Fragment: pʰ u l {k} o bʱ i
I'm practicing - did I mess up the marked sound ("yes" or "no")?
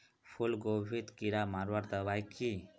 yes